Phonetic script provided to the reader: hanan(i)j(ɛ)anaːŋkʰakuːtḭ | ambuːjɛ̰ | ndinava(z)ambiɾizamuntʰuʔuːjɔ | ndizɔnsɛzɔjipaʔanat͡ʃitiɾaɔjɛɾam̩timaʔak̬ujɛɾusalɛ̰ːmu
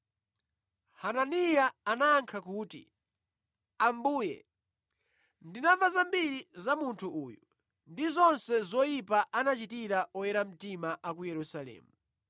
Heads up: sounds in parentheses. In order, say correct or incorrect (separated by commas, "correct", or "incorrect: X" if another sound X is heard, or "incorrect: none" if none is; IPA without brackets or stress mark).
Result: correct, incorrect: a, correct